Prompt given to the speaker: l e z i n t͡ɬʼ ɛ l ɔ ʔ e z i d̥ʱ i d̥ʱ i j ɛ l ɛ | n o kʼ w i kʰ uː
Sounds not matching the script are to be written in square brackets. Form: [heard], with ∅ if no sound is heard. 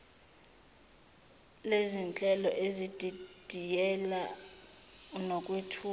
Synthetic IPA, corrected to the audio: l e z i n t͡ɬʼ ɛ l ɔ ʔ e z i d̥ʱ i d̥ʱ i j ɛ l [a] | n o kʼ w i [tʰ] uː